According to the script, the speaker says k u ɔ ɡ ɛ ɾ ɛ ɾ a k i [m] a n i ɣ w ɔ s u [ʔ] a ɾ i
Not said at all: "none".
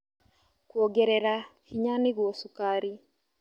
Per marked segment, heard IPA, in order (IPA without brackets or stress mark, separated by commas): ɲ, k